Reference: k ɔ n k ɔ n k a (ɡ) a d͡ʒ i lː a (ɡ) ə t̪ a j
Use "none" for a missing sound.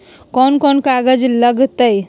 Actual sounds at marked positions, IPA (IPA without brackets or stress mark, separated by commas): ɡ, ɡ